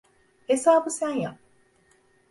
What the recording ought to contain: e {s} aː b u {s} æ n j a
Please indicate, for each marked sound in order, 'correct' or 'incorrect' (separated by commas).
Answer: correct, correct